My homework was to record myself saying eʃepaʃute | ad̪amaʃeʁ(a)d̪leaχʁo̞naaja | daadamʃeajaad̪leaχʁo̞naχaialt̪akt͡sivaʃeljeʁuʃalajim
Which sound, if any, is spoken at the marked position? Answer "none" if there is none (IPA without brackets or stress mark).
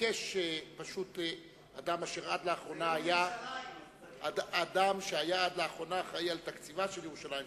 a